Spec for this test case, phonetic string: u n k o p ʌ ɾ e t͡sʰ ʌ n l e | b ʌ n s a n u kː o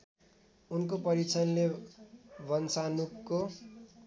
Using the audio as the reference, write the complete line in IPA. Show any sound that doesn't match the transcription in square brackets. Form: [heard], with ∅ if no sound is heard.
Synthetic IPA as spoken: u n k o p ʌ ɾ [i] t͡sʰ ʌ n l e | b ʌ n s a n u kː o

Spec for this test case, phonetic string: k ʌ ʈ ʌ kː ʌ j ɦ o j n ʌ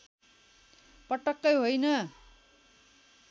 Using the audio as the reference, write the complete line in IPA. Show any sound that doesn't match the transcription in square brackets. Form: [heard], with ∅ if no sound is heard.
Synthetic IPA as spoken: [p] ʌ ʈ ʌ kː ʌ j ɦ o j n ʌ

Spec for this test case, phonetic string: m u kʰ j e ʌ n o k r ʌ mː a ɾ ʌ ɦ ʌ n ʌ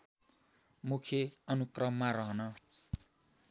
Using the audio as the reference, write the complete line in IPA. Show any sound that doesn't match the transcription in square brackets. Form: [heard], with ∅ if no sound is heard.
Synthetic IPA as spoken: m u kʰ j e ʌ n [u] k r ʌ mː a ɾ ʌ ɦ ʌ n ʌ

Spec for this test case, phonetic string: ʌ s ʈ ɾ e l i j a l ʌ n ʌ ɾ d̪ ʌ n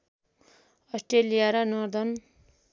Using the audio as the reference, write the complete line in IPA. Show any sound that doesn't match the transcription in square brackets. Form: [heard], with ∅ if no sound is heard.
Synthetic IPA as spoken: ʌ s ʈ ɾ e l i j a [ɾ] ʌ n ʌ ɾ d̪ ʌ n

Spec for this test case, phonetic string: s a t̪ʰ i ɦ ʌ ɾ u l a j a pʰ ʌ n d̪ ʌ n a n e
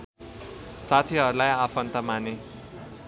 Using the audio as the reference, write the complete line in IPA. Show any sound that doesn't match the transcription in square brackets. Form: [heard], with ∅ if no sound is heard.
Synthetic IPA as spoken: s a t̪ʰ i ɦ ʌ ɾ u l a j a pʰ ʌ n [t̪] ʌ [m] a n e

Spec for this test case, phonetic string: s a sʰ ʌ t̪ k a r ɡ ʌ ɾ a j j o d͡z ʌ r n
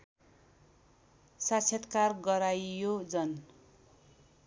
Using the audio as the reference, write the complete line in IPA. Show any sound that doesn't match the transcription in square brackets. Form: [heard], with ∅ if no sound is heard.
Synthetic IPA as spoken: s a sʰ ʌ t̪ k a r ɡ ʌ ɾ a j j o d͡z ʌ [∅] n

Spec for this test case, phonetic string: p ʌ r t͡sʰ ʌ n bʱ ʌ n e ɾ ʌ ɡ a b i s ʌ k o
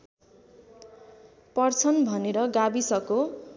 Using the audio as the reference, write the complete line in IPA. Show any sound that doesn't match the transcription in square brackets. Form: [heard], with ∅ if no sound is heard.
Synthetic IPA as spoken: p ʌ r t͡sʰ ʌ n bʱ ʌ n e ɾ ʌ ɡ a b i s ʌ k o

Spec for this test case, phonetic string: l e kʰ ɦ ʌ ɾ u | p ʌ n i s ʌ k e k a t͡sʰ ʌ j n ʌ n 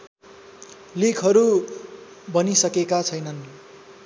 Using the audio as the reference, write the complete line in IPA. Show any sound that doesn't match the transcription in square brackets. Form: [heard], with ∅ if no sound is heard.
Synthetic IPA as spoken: l [i] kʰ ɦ ʌ ɾ u | [b] ʌ n i s ʌ k e k a t͡sʰ ʌ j n ʌ n

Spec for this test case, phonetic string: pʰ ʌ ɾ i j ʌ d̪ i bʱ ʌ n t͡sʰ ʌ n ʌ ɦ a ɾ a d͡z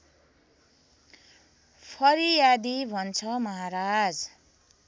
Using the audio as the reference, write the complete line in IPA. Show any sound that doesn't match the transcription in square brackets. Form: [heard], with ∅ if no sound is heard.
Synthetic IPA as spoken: pʰ ʌ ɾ i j [a] d̪ i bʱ ʌ n t͡sʰ ʌ [m] ʌ ɦ a ɾ a d͡z

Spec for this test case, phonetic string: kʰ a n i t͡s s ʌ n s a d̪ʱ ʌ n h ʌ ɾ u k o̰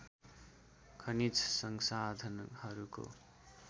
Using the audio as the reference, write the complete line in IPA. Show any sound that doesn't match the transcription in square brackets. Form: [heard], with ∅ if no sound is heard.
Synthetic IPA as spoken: kʰ [ʌ] n i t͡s s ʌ [ŋ] s a d̪ʱ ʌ n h ʌ ɾ u k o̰

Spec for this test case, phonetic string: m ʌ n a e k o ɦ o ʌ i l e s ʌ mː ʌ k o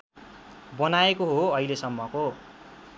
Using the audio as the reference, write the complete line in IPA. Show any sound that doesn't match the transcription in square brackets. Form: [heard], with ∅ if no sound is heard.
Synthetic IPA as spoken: [b] ʌ n a e k o ɦ o ʌ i l e s ʌ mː ʌ k o

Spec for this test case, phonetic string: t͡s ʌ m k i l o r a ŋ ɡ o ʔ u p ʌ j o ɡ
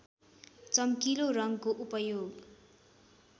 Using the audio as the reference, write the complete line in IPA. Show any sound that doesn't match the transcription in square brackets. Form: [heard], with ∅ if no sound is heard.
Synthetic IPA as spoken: t͡s ʌ m k i l o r [ʌ] ŋ [k] o ʔ u p ʌ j o ɡ

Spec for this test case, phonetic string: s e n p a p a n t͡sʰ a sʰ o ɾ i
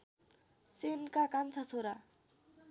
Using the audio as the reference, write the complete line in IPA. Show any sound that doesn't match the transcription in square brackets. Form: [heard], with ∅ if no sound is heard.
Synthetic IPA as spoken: s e n [k] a [k] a n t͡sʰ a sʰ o ɾ [a]

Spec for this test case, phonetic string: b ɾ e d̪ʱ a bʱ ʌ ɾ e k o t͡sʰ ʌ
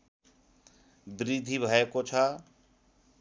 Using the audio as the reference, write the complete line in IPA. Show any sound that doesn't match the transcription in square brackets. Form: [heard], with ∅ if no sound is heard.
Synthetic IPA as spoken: b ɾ [i] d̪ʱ [i] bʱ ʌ [∅] e k o t͡sʰ ʌ

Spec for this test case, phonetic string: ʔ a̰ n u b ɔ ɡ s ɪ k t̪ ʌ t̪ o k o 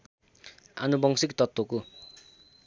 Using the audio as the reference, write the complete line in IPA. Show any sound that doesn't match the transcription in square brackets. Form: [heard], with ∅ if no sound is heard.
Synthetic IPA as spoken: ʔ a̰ n u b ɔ [ŋ] s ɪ k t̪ [ɔ] t̪ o k [u]

